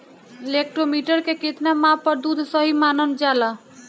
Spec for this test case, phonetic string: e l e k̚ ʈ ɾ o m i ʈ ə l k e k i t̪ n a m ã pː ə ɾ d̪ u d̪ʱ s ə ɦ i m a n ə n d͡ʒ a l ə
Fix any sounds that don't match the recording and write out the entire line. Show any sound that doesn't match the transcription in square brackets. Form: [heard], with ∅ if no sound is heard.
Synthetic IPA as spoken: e l e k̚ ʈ ɾ o m i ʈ ə [ɾ] k e k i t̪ n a m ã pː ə ɾ d̪ u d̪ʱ s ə ɦ i m a n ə n d͡ʒ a l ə

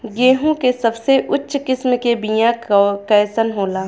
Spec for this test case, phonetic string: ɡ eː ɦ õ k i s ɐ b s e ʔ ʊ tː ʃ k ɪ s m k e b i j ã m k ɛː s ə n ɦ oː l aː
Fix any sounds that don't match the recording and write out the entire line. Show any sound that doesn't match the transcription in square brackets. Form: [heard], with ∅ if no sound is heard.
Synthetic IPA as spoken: ɡ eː ɦ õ k [e] s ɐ b s e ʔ ʊ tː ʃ k ɪ s m k e b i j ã [∅] k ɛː s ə n ɦ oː l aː

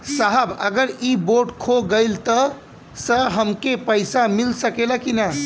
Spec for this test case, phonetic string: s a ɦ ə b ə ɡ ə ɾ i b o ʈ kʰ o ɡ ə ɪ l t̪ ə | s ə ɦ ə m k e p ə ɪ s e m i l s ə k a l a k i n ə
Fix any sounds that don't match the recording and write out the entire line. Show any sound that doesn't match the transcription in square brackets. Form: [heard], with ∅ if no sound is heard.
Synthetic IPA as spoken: s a ɦ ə b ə ɡ ə ɾ i b o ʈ kʰ o ɡ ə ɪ l t̪ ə | s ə ɦ ə m k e p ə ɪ s [a] m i l s ə k [e] l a k i n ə

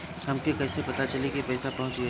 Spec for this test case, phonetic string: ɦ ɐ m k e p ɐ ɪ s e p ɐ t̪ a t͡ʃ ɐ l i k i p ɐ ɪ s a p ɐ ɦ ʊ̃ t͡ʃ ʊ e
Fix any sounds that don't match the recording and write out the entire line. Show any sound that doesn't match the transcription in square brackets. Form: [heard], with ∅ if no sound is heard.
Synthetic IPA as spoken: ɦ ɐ m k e [k] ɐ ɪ s e p ɐ t̪ a t͡ʃ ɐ l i k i p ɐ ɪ s a p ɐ ɦ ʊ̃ t͡ʃ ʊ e

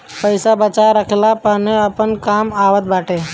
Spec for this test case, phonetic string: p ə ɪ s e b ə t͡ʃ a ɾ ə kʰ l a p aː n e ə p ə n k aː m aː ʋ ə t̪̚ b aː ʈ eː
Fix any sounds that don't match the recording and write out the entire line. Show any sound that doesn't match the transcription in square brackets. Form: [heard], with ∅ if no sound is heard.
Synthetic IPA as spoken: p ə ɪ s [a] b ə t͡ʃ a ɾ ə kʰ l a p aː n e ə p ə n k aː m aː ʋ ə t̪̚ b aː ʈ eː

